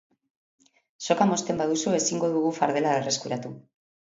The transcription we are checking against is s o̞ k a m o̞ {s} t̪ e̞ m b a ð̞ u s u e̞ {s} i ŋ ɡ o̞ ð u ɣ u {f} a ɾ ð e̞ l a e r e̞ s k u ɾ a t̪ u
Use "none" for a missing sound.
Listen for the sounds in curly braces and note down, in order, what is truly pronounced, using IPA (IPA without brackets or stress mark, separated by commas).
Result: s, s, f